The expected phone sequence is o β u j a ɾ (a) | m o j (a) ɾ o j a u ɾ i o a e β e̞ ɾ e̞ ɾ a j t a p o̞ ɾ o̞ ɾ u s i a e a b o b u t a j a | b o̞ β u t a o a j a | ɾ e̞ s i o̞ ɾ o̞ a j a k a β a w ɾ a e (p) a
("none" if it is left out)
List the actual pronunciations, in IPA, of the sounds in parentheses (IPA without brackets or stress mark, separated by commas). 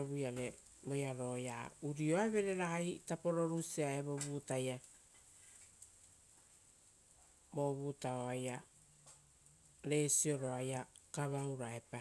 e, a, p